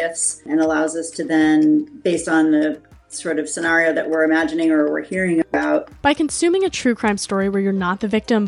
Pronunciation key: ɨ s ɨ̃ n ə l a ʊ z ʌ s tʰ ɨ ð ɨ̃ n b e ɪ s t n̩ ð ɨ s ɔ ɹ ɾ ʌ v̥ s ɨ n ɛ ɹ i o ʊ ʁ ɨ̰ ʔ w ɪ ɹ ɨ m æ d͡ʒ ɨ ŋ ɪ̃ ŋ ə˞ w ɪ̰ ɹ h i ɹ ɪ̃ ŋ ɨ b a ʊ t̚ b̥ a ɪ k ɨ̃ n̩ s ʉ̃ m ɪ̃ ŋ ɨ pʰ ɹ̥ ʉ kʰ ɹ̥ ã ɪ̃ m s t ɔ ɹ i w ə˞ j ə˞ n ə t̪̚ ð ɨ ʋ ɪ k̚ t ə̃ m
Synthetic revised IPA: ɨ s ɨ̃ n ə l a ʊ z ʌ s tʰ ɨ ð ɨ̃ n b e ɪ s t n̩ ð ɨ s ɔ ɹ ɾ ʌ v̥ s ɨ n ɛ ɹ i o ʊ ð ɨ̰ ʔ w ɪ ɹ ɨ m æ d͡ʒ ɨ n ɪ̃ ŋ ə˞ w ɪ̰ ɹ h i ɹ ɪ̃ ŋ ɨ b a ʊ t̚ b̥ a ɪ k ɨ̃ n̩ s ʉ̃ m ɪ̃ ŋ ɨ tʰ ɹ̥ ʉ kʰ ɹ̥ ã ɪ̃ m s t ɔ ɹ i w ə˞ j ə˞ n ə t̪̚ ð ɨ v ɪ k̚ t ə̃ m